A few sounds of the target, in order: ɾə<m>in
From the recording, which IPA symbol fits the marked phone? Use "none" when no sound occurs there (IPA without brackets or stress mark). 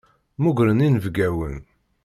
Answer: n